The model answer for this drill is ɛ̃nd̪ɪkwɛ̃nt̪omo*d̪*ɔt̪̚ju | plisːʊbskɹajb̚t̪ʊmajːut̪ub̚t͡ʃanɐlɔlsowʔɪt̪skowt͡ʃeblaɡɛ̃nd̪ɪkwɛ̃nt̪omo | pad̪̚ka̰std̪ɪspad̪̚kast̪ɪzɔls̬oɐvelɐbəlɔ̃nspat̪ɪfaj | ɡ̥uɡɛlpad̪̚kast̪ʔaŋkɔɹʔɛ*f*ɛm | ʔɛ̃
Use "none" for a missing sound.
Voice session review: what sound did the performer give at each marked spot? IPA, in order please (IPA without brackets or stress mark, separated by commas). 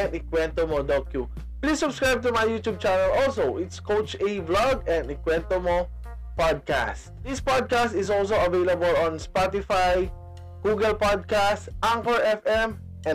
d̪, f